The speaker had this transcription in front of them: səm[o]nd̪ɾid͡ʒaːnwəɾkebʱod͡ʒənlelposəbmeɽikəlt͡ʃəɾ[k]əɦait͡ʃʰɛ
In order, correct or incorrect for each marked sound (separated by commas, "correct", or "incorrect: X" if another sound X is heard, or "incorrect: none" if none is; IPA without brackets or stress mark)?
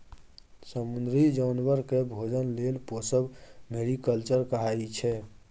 incorrect: u, correct